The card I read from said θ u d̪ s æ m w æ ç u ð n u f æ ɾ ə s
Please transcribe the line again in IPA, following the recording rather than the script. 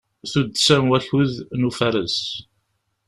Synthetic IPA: θ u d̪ s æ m w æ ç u ð n u f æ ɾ ə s